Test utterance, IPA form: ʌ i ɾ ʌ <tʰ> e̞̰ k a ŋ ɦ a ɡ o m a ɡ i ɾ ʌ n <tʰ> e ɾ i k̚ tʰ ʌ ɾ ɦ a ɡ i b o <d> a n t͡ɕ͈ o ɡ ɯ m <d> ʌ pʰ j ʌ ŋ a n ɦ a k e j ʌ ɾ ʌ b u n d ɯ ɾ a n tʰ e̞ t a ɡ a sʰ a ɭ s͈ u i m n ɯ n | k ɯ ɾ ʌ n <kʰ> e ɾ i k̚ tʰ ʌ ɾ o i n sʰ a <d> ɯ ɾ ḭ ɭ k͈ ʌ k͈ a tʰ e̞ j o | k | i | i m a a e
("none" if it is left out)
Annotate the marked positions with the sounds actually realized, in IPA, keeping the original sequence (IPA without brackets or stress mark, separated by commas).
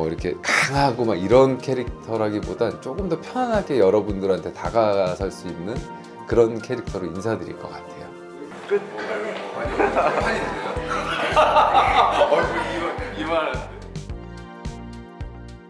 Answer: kʰ, kʰ, d, d, kʰ, d